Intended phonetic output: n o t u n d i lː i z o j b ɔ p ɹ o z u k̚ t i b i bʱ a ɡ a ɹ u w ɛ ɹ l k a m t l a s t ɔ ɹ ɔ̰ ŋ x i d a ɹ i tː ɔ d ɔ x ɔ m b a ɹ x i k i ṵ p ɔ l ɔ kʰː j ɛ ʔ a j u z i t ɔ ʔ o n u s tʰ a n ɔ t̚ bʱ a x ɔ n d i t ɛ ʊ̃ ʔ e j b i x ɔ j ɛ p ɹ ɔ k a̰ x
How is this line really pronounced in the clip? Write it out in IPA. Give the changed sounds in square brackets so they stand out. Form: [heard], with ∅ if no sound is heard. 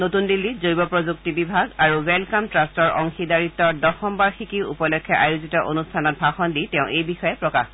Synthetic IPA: n o t u n d i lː i z o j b ɔ p ɹ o z u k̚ t i b i bʱ a ɡ a ɹ u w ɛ [∅] l k a m t [ɹ] a s t ɔ ɹ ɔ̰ ŋ x i d a ɹ i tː ɔ d ɔ x ɔ m b a ɹ x i k i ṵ p ɔ l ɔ kʰː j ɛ ʔ a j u z i t ɔ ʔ o n u s tʰ a n ɔ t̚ bʱ a x ɔ n d i t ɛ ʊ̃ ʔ e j b i x ɔ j ɛ p ɹ ɔ k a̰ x